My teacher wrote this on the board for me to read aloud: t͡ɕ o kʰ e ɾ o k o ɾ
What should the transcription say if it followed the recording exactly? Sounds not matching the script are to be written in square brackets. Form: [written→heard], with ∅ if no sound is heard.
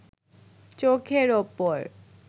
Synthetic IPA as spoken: t͡ɕ o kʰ e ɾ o [k→p] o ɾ